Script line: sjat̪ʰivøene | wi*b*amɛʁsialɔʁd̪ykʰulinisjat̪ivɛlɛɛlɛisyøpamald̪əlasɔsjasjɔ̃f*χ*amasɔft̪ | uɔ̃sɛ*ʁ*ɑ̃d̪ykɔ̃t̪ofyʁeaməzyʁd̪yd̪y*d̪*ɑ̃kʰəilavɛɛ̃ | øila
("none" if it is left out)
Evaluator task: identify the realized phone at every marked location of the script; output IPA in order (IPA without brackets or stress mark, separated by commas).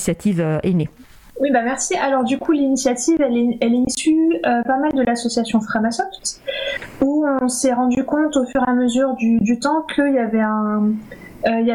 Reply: b, χ, ʁ, t̪